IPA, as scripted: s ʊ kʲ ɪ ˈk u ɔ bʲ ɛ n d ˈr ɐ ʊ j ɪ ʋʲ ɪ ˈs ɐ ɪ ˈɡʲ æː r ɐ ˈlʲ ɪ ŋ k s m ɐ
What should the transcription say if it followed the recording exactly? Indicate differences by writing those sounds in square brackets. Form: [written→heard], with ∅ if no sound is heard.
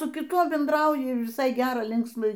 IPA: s ʊ kʲ ɪ [ˈk→ˈt] u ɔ bʲ ɛ n d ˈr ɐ ʊ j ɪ ʋʲ ɪ ˈs ɐ ɪ ˈɡʲ æː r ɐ ˈlʲ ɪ ŋ k s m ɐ